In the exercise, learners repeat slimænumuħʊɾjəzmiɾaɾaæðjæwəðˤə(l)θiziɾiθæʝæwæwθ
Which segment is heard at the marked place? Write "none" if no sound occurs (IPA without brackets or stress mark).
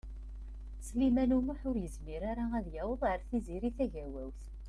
ɾ